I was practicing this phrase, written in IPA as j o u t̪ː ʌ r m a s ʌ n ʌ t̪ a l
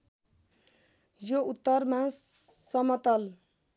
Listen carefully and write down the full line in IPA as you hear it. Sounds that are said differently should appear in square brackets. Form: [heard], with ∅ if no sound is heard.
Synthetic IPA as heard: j o u t̪ː ʌ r m a s ʌ [m] ʌ t̪ [ʌ] l

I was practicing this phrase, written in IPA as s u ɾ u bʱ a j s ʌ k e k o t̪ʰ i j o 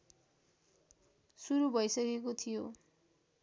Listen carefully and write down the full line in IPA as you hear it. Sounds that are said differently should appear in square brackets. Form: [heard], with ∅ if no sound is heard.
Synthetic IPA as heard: s u ɾ u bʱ [ʌ] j s ʌ k e k o t̪ʰ i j o

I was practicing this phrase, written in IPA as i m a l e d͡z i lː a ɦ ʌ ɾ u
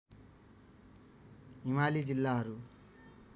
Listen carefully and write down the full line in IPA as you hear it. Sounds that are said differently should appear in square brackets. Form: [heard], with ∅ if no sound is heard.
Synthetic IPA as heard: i m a l [i] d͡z i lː a ɦ ʌ ɾ u

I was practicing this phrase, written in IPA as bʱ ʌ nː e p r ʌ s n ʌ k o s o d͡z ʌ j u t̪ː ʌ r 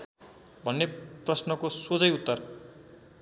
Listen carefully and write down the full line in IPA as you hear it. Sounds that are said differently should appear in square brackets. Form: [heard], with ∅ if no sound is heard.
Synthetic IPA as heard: bʱ ʌ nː e p r ʌ s n ʌ k o s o d͡z ʌ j u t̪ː ʌ r

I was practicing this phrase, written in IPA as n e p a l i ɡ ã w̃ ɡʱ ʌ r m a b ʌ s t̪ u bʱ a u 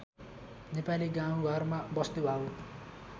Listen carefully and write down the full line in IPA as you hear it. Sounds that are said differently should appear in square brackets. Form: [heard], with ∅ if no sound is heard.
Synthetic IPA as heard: n e p a l i ɡ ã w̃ ɡʱ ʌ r m a b ʌ s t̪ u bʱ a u

